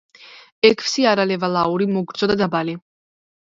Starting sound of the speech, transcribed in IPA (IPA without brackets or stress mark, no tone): ɛ